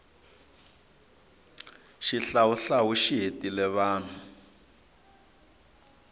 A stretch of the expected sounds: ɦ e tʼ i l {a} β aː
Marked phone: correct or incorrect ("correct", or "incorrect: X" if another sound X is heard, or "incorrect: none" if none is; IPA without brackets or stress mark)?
incorrect: ɛ